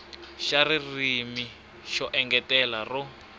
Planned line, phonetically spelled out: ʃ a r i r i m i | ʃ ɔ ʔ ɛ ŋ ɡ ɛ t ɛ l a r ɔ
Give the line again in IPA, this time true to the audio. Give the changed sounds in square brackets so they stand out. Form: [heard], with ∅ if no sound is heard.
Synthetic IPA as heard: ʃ a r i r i m i | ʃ ɔ ʔ ɛ ŋ ɡ ɛ t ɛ l a r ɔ